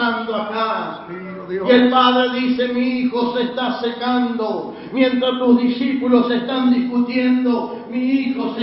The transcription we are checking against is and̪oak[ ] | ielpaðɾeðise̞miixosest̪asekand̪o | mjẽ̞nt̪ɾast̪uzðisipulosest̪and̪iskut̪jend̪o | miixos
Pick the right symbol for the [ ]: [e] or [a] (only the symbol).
a